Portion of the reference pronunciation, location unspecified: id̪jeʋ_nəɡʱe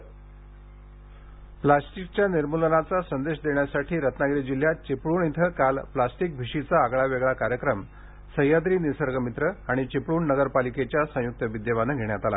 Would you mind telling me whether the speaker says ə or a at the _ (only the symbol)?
a